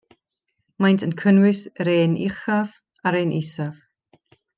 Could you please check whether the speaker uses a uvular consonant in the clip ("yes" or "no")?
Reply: yes